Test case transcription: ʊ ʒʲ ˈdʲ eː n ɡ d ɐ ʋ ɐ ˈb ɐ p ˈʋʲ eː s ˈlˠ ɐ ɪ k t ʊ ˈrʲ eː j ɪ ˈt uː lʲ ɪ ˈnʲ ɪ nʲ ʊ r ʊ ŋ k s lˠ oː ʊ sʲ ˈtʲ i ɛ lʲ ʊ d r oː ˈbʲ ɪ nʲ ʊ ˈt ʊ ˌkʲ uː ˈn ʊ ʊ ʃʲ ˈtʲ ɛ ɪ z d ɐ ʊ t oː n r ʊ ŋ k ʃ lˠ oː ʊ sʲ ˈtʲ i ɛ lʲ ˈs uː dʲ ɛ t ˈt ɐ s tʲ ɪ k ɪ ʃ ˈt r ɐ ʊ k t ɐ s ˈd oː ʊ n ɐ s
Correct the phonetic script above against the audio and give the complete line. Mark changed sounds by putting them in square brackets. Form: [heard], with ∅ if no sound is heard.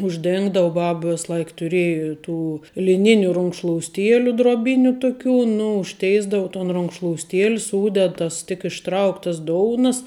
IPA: ʊ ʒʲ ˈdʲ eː [ŋ] ɡ d ɐ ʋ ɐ ˈb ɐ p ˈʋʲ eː s ˈlˠ ɐ ɪ k t ʊ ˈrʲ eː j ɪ ˈt uː lʲ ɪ ˈnʲ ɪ nʲ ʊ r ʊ ŋ k [ʃ] lˠ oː ʊ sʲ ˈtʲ i ɛ lʲ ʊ d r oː ˈbʲ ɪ nʲ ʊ ˈt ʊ ˌkʲ uː ˈn ʊ ʊ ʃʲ ˈtʲ ɛ ɪ z d ɐ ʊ t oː n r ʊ ŋ k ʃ lˠ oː ʊ sʲ ˈtʲ i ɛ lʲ ˈs uː dʲ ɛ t ˈt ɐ s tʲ ɪ k ɪ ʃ ˈt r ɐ ʊ k t ɐ s ˈd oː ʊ n ɐ s

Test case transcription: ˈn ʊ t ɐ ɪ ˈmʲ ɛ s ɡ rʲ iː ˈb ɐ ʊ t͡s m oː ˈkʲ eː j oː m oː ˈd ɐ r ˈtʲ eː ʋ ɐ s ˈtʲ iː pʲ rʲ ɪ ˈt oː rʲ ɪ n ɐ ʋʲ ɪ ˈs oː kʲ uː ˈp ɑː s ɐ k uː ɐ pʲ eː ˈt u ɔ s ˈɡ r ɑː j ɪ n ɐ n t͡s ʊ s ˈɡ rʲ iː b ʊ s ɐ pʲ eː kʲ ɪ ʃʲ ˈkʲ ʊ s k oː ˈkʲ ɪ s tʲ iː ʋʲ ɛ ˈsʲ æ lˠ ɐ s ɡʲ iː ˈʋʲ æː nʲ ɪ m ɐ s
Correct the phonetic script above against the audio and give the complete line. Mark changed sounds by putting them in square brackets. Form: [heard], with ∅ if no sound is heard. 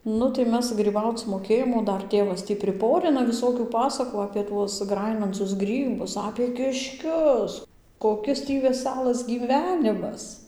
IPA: ˈn ʊ t ɐ ɪ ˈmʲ ɛ s ɡ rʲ iː ˈb ɐ ʊ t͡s m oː ˈkʲ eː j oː m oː ˈd ɐ r ˈtʲ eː ʋ ɐ s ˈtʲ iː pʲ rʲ ɪ [ˈp] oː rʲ ɪ n ɐ ʋʲ ɪ ˈs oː kʲ uː ˈp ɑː s ɐ k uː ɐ pʲ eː ˈt u ɔ s ˈɡ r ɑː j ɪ n ɐ n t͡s ʊ s ˈɡ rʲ iː b ʊ s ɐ pʲ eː kʲ ɪ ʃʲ ˈkʲ ʊ s k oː ˈkʲ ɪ s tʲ iː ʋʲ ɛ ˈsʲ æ lˠ ɐ s ɡʲ iː ˈʋʲ æː nʲ ɪ m ɐ s

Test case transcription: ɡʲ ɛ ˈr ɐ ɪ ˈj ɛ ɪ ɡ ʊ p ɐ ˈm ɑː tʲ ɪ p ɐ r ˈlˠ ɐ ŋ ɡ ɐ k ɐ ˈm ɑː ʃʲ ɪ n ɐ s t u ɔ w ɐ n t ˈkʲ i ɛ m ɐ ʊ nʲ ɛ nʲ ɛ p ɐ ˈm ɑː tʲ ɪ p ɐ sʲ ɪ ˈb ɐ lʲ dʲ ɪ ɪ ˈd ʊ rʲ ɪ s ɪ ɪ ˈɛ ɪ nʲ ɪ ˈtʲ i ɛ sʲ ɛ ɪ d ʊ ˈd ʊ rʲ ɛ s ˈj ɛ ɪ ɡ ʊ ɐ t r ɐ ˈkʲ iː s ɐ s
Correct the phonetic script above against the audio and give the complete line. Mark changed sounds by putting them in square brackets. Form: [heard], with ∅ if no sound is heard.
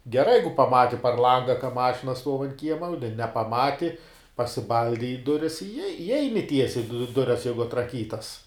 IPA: ɡʲ ɛ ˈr ɐ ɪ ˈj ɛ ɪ ɡ ʊ p ɐ ˈm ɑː tʲ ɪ p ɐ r ˈlˠ ɐ ŋ ɡ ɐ k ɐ ˈm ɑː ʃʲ ɪ n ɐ s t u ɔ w ɐ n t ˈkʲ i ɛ m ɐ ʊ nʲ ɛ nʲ ɛ p ɐ ˈm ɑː tʲ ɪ p ɐ sʲ ɪ ˈb ɐ lʲ dʲ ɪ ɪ ˈd ʊ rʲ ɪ s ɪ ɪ ˈɛ ɪ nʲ ɪ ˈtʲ i ɛ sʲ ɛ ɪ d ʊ ˈd ʊ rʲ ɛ s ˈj ɛ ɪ ɡ ʊ ɐ t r ɐ ˈkʲ iː [t] ɐ s

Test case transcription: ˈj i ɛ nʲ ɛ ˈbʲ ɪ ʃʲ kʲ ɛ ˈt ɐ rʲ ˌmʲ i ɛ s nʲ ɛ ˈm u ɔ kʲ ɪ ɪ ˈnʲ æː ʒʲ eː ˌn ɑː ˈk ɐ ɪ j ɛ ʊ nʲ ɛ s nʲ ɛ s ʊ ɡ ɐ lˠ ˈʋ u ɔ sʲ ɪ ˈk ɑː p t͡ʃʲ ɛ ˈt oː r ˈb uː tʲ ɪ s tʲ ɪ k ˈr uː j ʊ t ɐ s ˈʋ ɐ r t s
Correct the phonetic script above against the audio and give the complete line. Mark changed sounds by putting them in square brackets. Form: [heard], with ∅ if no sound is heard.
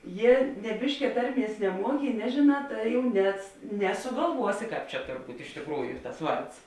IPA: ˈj i ɛ nʲ ɛ ˈbʲ ɪ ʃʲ kʲ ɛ ˈt ɐ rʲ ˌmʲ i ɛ s nʲ ɛ ˈm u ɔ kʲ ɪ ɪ ˈnʲ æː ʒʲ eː ˌn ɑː [ˈt] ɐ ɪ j ɛ ʊ nʲ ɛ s nʲ ɛ s ʊ ɡ ɐ lˠ ˈʋ u ɔ sʲ ɪ ˈk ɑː p t͡ʃʲ ɛ ˈt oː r ˈb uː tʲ ɪ [ʃ] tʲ ɪ k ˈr uː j ʊ t ɐ s ˈʋ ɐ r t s

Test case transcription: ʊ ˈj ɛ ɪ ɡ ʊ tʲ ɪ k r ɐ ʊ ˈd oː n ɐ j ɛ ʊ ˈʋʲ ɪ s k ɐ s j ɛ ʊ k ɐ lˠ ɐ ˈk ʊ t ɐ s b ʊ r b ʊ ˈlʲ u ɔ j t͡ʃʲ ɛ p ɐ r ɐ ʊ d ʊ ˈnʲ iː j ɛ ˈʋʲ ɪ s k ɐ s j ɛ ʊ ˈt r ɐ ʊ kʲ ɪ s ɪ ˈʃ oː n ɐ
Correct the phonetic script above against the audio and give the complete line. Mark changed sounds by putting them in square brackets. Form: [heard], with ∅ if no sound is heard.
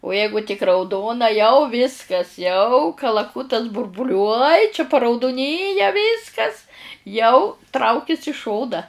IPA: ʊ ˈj ɛ ɪ ɡ ʊ tʲ ɪ k r ɐ ʊ ˈd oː n ɐ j ɛ ʊ ˈʋʲ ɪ s k ɐ s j ɛ ʊ k ɐ lˠ ɐ ˈk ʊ t ɐ s b ʊ r b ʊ ˈlʲ u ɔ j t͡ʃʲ ɛ p ɐ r ɐ ʊ d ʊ ˈnʲ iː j ɛ ˈʋʲ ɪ s k ɐ s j ɛ ʊ ˈt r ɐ ʊ kʲ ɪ s ɪ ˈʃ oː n ɐ

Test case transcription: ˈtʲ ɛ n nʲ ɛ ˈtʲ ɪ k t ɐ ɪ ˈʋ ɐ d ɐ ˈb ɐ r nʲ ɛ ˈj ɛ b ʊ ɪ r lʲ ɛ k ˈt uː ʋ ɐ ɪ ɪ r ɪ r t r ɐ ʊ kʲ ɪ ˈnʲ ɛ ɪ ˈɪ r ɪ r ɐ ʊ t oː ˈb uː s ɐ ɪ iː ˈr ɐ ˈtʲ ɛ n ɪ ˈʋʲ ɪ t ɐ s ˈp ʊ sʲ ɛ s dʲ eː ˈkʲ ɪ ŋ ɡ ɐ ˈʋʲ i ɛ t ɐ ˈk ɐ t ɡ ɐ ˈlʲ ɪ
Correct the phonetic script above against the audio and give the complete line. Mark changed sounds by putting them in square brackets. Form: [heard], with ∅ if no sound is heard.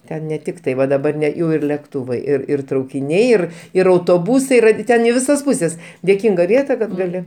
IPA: ˈtʲ ɛ n nʲ ɛ ˈtʲ ɪ k t ɐ ɪ ˈʋ ɐ d ɐ ˈb ɐ r nʲ ɛ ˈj ɛ [∅] ʊ ɪ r lʲ ɛ k ˈt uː ʋ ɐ ɪ ɪ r ɪ r t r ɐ ʊ kʲ ɪ ˈnʲ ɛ ɪ ˈɪ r ɪ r ɐ ʊ t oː ˈb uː s ɐ ɪ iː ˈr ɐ ˈtʲ ɛ n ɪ ˈʋʲ ɪ [s] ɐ s ˈp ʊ sʲ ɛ s dʲ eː ˈkʲ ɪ ŋ ɡ ɐ ˈʋʲ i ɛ t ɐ ˈk ɐ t ɡ ɐ ˈlʲ ɪ

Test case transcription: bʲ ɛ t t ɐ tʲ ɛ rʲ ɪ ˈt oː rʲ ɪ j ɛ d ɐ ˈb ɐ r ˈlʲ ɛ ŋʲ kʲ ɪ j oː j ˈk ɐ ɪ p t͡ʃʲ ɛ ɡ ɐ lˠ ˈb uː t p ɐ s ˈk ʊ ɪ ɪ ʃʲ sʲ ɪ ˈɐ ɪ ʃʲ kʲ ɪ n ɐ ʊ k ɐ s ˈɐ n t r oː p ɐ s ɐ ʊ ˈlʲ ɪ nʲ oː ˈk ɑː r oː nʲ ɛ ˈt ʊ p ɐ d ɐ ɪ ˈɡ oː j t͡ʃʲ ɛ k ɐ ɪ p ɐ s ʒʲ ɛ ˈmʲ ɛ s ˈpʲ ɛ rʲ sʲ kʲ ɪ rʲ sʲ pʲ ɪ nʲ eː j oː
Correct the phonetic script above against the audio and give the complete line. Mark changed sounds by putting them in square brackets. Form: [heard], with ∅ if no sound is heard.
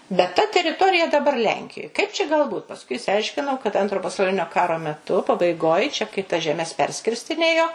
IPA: bʲ ɛ t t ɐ tʲ ɛ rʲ ɪ ˈt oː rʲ ɪ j ɛ d ɐ ˈb ɐ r ˈlʲ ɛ ŋʲ kʲ ɪ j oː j ˈk ɐ ɪ p t͡ʃʲ ɛ ɡ ɐ lˠ ˈb uː t p ɐ s ˈk ʊ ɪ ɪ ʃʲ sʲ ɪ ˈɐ ɪ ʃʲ kʲ ɪ n ɐ ʊ k ɐ [t] ˈɐ n t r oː p ɐ s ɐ ʊ ˈlʲ ɪ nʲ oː ˈk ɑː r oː [mʲ] ɛ ˈt ʊ p ɐ [b] ɐ ɪ ˈɡ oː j t͡ʃʲ ɛ k ɐ ɪ [t] ɐ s ʒʲ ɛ ˈmʲ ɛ s ˈpʲ ɛ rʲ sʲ kʲ ɪ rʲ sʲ [tʲ] ɪ nʲ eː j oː

